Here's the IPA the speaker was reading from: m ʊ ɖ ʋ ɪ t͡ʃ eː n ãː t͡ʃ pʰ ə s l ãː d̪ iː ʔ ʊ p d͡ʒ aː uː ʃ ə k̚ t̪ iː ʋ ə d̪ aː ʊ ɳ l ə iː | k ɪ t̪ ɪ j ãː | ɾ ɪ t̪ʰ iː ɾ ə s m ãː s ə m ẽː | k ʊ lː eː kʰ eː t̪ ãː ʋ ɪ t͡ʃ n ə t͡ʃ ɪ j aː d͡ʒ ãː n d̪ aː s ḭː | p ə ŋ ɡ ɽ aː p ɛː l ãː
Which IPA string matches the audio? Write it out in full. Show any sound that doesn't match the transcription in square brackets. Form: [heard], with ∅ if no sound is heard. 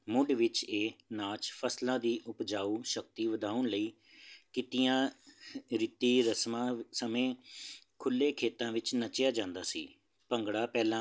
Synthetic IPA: m ʊ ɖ ʋ ɪ t͡ʃ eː n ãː t͡ʃ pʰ ə s l ãː d̪ iː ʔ ʊ p d͡ʒ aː uː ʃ ə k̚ t̪ iː ʋ ə d̪ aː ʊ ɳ l ə iː | k ɪ t̪ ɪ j ãː | ɾ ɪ [t̪] iː ɾ ə s m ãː s ə m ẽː | [kʰ] ʊ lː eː kʰ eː t̪ ãː ʋ ɪ t͡ʃ n ə t͡ʃ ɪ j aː d͡ʒ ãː n d̪ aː s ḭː | p ə ŋ ɡ ɽ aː p ɛː l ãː